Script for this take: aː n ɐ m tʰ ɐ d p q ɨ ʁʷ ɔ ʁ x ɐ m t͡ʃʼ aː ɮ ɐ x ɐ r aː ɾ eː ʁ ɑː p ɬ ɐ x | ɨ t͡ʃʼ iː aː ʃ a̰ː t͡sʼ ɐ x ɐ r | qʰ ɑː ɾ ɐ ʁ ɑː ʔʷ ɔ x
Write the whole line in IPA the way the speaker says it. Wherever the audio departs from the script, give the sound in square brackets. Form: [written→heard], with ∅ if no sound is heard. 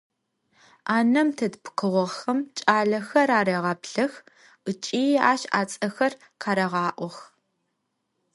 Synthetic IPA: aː n ɐ m tʰ ɐ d p q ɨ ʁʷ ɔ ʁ x ɐ m t͡ʃʼ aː ɮ ɐ x ɐ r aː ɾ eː ʁ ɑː p ɬ ɐ x | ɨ t͡ʃʼ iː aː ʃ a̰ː t͡sʼ ɐ x ɐ r | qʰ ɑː ɾ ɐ ʁ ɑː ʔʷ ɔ x